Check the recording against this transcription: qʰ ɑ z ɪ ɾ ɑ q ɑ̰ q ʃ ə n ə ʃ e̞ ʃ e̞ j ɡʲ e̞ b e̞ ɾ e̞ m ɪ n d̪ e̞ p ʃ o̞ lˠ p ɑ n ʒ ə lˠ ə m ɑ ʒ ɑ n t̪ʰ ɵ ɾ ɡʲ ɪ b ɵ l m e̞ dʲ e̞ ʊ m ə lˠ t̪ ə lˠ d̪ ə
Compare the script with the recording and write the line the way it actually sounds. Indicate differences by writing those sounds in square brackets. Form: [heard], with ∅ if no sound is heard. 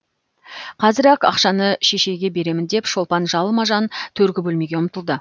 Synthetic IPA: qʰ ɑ z ɪ ɾ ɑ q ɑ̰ q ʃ [ɑ] n ə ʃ e̞ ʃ e̞ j ɡʲ e̞ b e̞ ɾ e̞ m ɪ n d̪ e̞ p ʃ o̞ lˠ p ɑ n ʒ [ɑ] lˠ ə m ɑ ʒ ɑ n t̪ʰ ɵ ɾ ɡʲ ɪ b ɵ l m e̞ [ɡʲ] e̞ ʊ m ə [∅] t̪ ə lˠ d̪ ə